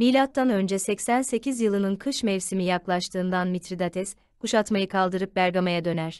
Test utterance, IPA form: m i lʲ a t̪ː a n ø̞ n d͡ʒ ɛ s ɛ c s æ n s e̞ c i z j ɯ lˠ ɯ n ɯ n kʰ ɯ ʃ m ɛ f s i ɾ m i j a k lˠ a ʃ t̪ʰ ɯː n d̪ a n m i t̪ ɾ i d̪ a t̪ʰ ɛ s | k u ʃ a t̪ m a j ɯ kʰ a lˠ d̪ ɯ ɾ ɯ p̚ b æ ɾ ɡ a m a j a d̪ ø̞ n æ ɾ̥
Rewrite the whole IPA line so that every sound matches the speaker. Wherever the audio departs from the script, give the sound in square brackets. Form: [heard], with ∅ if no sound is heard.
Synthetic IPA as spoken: m i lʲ a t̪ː a n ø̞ n d͡ʒ ɛ s ɛ c s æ n s e̞ c i z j ɯ lˠ ɯ n ɯ n kʰ ɯ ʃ m ɛ [v] s i [∅] m i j a k lˠ a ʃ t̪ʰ ɯː n d̪ a n m i t̪ ɾ i d̪ a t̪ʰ ɛ s | k u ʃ a t̪ m a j ɯ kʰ a lˠ d̪ ɯ ɾ ɯ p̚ b æ ɾ ɡ a m a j a d̪ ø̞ n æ ɾ̥

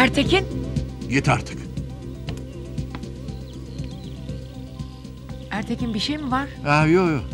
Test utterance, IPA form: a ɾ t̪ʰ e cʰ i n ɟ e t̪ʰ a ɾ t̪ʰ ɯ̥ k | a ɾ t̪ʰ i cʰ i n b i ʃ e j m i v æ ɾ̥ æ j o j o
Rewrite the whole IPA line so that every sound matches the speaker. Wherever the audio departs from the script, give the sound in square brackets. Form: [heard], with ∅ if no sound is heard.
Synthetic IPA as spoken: [æ] ɾ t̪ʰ e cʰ i n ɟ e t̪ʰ a ɾ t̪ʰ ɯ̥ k | [æ] ɾ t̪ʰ [e] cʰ i n b i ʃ e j m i v [a] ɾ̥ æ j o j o

